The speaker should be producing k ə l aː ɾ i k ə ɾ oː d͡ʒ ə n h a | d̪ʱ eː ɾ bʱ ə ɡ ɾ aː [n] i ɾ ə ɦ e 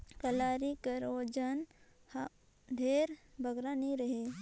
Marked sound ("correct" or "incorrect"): correct